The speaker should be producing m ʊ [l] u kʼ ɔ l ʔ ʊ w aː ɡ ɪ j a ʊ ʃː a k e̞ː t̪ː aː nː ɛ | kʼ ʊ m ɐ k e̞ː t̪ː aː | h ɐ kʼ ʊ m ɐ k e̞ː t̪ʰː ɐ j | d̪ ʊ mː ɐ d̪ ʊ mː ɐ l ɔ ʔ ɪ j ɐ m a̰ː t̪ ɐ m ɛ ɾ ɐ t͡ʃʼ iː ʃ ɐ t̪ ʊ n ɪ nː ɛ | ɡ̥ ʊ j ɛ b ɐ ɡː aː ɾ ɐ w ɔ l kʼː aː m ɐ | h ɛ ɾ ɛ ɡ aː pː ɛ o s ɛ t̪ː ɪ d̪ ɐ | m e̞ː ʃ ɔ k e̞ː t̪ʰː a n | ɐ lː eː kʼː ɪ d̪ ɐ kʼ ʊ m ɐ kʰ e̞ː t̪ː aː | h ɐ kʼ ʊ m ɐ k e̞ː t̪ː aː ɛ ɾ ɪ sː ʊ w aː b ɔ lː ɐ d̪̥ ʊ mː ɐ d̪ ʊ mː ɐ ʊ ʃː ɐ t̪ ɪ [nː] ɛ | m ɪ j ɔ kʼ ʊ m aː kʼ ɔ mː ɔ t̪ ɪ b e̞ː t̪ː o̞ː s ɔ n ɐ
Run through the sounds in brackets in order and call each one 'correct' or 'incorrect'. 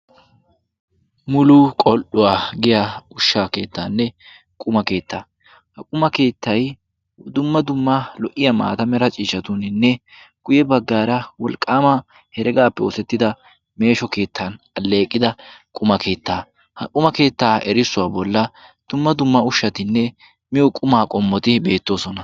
correct, correct

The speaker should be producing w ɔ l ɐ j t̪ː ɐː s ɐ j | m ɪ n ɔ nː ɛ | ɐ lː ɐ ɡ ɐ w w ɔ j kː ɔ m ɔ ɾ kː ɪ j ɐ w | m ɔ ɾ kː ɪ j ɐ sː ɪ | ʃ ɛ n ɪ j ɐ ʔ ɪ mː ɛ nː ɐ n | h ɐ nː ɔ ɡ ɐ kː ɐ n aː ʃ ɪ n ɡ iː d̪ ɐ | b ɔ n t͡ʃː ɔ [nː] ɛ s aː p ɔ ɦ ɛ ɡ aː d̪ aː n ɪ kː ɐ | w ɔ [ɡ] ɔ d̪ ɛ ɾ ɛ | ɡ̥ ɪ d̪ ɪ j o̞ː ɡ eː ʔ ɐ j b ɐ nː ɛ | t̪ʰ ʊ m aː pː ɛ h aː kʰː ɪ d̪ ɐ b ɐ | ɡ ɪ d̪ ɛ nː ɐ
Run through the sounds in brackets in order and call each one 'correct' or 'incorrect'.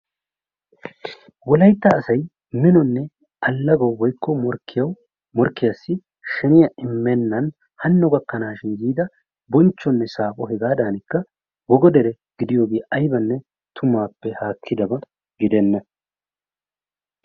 correct, correct

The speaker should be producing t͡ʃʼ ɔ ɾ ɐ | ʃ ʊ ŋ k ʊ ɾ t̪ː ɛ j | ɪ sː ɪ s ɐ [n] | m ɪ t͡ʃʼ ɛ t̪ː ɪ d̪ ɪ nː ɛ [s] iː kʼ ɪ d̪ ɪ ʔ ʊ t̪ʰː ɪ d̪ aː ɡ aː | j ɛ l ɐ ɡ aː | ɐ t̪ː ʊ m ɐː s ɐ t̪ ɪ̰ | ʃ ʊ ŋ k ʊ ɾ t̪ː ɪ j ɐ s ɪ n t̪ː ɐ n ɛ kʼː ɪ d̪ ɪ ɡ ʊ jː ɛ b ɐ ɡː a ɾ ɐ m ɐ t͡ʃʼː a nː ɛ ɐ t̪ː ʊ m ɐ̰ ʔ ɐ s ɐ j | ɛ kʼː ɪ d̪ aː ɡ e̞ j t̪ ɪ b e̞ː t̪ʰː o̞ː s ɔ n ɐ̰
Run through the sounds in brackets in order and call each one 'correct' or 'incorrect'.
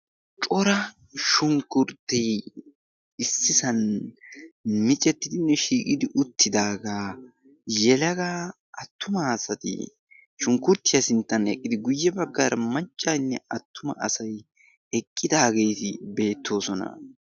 correct, incorrect

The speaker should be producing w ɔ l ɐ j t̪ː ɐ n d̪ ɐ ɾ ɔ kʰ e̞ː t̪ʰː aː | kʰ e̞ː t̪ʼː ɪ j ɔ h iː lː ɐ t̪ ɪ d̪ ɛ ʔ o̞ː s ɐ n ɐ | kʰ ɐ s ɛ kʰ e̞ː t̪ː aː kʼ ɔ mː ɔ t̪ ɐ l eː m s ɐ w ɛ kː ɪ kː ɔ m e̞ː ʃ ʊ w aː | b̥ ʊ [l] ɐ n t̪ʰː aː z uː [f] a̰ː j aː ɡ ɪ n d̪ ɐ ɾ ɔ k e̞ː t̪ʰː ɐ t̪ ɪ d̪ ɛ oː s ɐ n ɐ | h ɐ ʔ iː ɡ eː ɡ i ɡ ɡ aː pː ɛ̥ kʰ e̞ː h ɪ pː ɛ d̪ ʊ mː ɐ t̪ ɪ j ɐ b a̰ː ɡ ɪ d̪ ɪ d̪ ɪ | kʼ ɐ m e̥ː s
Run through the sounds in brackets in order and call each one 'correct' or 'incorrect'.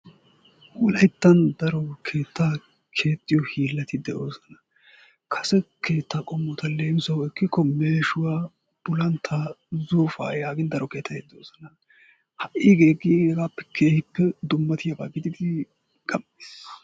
correct, correct

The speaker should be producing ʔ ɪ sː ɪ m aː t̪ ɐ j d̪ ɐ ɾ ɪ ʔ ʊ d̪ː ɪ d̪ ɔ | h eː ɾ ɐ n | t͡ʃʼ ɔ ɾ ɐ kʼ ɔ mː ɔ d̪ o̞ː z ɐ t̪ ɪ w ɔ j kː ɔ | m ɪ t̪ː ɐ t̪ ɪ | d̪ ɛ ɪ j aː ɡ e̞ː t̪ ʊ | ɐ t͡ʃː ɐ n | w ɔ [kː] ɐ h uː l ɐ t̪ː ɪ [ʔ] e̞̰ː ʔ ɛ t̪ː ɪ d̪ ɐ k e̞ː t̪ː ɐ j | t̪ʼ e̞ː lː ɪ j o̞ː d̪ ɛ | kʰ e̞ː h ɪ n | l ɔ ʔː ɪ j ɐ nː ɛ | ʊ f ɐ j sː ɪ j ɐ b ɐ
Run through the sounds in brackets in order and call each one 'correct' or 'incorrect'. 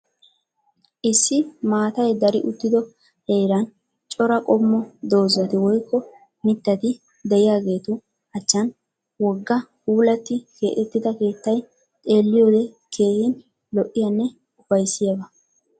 incorrect, incorrect

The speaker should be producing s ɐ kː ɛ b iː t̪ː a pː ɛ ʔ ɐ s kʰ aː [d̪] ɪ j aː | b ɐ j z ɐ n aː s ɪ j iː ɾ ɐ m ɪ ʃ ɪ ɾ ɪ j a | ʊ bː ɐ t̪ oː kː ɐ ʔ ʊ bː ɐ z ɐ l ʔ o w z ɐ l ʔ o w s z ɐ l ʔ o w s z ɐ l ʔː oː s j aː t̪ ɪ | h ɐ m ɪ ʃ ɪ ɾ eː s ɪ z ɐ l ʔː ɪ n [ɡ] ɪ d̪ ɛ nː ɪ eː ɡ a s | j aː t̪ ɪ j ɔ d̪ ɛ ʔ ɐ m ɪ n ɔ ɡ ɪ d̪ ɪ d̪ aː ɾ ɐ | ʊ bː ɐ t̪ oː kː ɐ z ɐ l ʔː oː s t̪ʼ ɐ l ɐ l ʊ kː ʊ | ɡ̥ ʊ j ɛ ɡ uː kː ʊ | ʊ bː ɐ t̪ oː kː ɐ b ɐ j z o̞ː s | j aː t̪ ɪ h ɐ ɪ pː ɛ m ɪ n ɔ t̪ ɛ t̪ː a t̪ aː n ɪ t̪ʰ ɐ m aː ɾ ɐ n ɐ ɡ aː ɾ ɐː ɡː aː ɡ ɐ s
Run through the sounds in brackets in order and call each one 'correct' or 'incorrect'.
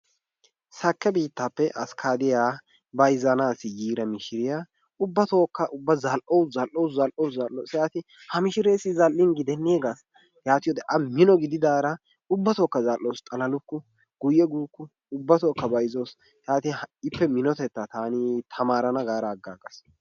correct, correct

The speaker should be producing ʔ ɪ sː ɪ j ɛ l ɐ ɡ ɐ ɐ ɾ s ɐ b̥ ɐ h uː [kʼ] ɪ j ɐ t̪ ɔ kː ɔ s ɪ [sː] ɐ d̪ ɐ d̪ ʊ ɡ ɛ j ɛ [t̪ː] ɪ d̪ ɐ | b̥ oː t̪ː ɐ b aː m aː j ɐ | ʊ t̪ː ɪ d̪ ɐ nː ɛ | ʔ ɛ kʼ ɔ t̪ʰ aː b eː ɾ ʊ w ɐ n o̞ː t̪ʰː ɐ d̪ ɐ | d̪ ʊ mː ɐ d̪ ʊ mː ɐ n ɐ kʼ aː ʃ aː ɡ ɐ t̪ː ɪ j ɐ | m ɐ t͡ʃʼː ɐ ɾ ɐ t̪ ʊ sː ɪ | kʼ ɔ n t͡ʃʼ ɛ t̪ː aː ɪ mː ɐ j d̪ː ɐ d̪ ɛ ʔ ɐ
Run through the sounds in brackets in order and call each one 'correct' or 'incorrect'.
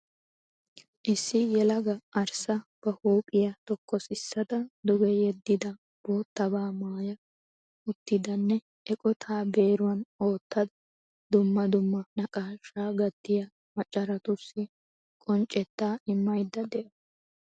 incorrect, correct, incorrect

